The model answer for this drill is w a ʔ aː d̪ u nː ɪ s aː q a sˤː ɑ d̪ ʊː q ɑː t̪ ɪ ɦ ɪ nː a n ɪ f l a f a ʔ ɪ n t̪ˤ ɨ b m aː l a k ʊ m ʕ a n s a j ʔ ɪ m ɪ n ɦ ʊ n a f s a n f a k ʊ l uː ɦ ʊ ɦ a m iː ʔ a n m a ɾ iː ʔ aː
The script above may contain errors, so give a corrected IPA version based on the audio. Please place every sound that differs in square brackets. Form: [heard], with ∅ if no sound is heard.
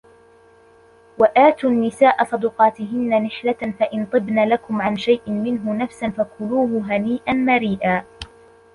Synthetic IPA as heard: w a ʔ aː [t̪] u nː ɪ s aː [ʔ] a [sˤ] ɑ d̪ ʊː q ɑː t̪ ɪ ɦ ɪ nː a n ɪ [ħ] l a f a ʔ ɪ n t̪ˤ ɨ b [n] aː l a k ʊ m ʕ a n [ʃ] a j ʔ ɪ m ɪ n ɦ ʊ n a f s a n f a k ʊ l uː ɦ ʊ ɦ a [n] iː ʔ a n m a ɾ iː ʔ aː